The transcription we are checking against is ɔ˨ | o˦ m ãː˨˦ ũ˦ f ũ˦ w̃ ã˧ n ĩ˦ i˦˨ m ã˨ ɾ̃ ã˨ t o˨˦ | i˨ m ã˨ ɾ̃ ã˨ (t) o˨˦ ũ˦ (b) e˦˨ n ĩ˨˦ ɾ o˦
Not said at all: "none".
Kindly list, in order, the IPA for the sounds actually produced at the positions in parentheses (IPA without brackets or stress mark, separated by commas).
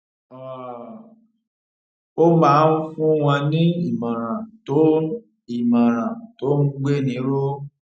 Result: t, ɡ͡b